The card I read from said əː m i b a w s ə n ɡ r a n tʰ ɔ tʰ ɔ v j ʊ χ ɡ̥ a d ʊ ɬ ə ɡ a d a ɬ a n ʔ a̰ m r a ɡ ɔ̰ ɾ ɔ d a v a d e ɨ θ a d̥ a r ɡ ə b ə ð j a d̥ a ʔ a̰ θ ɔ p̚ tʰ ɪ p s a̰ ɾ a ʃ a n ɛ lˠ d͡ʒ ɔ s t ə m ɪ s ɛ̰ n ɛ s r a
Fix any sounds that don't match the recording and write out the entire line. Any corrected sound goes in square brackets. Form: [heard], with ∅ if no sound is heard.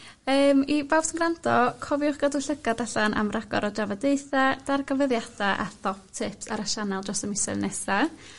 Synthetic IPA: əː m i b a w s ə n ɡ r a n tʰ ɔ [kʰ] ɔ v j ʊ χ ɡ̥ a d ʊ ɬ ə ɡ a d a ɬ a n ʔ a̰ m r a ɡ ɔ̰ ɾ ɔ d a v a d e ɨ θ a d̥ a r ɡ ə [v] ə ð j a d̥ a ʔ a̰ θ ɔ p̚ tʰ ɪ p s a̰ ɾ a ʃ a n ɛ lˠ d͡ʒ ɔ s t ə m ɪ s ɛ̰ n ɛ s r a